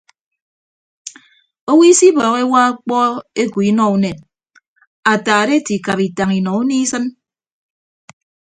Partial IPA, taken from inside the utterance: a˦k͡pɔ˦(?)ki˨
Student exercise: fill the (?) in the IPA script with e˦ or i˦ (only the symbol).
e˦